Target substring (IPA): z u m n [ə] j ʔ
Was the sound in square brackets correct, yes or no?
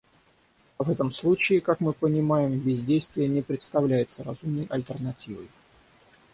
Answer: yes